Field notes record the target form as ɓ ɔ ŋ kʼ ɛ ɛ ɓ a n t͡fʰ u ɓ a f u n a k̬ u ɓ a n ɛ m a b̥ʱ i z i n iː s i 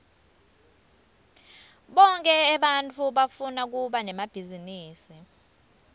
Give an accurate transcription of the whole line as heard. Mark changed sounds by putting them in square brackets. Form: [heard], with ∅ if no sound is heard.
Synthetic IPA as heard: ɓ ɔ ŋ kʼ ɛ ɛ ɓ a n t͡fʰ u ɓ a f u n a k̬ u ɓ a n ɛ m a b̥ʱ i z i n iː s i